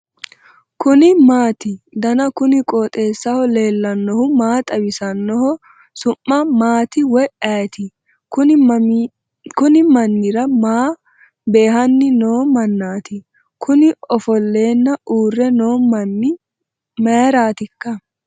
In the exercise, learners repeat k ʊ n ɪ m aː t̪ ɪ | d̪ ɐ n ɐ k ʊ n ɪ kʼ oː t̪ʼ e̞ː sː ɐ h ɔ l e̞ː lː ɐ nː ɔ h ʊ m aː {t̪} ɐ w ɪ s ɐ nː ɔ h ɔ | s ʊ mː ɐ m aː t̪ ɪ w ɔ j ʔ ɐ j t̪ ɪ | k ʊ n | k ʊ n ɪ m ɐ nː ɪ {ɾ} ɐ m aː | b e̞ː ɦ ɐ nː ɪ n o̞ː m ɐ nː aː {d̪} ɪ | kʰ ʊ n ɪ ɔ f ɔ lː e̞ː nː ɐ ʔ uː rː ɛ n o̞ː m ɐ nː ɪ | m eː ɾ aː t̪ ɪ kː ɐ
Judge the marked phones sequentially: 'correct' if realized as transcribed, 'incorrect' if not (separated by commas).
incorrect, correct, incorrect